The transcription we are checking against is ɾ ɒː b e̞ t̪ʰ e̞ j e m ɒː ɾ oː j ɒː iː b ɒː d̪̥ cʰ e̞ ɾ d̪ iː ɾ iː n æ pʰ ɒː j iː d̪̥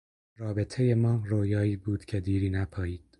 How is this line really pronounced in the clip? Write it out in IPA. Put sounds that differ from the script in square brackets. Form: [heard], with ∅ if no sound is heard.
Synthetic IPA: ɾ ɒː b e̞ t̪ʰ e̞ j e m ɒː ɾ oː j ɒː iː b [uː] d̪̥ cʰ e̞ [∅] d̪ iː ɾ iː n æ pʰ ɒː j iː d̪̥